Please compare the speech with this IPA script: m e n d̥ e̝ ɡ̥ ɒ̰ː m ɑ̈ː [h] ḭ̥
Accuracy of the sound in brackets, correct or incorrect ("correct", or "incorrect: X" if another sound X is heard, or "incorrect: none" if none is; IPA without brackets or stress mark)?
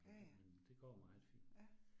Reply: incorrect: f